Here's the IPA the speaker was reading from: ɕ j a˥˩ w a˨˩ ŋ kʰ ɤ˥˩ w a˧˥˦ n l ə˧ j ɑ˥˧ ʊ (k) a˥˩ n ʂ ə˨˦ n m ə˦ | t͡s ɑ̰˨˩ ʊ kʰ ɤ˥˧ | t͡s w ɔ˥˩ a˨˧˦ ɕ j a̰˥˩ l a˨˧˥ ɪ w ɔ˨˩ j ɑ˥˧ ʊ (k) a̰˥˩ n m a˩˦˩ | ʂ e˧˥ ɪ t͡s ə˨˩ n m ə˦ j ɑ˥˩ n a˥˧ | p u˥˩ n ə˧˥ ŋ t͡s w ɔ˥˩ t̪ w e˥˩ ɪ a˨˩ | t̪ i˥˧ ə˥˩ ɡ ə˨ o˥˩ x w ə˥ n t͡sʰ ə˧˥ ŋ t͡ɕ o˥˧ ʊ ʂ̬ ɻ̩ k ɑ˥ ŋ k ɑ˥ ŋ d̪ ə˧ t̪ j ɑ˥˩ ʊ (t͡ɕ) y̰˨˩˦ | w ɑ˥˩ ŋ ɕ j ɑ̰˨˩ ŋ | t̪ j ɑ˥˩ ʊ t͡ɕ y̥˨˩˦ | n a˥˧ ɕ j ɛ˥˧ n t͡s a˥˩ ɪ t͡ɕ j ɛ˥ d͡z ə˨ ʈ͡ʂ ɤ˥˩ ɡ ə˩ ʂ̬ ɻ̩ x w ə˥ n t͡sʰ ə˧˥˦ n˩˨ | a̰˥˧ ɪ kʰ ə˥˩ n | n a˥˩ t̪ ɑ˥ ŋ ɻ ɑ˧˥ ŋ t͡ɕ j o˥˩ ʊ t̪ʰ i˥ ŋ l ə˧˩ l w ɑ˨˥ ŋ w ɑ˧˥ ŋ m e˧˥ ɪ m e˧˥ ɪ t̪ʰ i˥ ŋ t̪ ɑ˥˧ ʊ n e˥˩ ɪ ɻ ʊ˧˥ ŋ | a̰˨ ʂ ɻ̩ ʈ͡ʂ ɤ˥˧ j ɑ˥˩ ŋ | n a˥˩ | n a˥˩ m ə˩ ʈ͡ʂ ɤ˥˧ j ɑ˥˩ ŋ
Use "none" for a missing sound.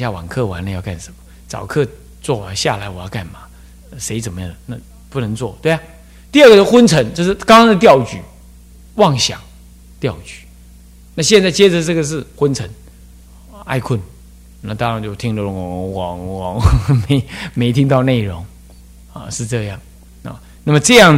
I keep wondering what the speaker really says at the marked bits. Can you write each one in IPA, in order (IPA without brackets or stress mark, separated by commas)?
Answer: k, k, t͡ɕ